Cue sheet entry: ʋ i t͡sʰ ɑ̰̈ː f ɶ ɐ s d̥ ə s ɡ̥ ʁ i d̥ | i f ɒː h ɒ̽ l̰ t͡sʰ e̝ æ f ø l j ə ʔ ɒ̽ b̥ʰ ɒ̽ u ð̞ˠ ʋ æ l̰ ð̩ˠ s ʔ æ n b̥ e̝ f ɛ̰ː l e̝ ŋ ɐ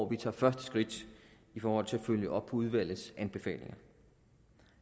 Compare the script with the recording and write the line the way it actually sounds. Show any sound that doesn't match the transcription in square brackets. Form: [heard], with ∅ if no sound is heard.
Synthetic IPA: ʋ i t͡sʰ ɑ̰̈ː f ɶ ɐ s d̥ ə s ɡ̥ ʁ i d̥ | i f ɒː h ɒ̽ l̰ t͡sʰ e̝ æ f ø l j ə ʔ ɒ̽ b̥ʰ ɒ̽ u ð̞ˠ ʋ æ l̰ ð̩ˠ s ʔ æ n b̥ e̝ f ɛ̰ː l e̝ ŋ ɐ